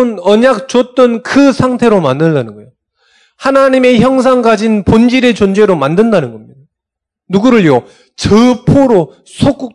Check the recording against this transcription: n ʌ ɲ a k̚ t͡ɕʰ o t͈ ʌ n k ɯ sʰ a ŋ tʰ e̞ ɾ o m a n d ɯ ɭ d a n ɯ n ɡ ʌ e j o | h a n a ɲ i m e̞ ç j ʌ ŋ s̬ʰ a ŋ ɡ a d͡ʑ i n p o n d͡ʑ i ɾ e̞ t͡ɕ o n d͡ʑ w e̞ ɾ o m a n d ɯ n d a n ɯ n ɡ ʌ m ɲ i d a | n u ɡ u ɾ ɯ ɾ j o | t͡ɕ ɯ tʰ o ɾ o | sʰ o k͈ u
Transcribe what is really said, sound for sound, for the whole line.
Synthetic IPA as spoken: n ʌ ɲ a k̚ t͡ɕ o t͈ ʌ n k ɯ sʰ a ŋ tʰ e̞ ɾ o m a n d ɯ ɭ d a n ɯ n ɡ ʌ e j o | h a n a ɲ i m e̞ ç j ʌ ŋ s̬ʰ a ŋ ɡ a d͡ʑ i n p o n d͡ʑ i ɾ e̞ t͡ɕ o n d͡ʑ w e̞ ɾ o m a n d ɯ n d a n ɯ n ɡ ʌ m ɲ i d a | n u ɡ u ɾ ɯ ɭ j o | t͡ɕ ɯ pʰ o ɾ o | sʰ o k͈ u